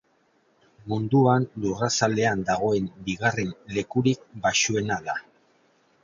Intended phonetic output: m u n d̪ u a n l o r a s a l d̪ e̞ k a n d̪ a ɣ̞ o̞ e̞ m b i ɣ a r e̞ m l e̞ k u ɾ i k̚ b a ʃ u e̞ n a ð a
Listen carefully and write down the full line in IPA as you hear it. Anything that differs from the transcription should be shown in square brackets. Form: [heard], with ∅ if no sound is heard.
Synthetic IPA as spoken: m u n d̪ u a n l [u] r a s a l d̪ e̞ [∅] a n d̪ a ɣ̞ o̞ e̞ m b i ɣ a r e̞ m l e̞ k u ɾ i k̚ b a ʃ u e̞ n a ð a